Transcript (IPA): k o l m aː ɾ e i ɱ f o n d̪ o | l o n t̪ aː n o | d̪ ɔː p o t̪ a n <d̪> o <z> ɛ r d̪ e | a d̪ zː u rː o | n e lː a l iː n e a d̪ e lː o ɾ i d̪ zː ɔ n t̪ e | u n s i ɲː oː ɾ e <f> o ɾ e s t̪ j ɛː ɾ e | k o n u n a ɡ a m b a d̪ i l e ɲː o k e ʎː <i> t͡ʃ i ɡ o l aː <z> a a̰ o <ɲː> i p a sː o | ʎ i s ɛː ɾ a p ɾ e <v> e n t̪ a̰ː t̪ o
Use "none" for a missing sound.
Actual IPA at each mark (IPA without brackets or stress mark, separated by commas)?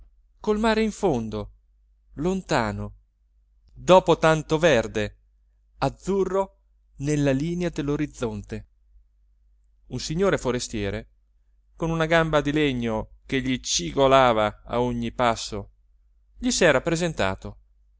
t̪, v, f, i, v, ɲː, z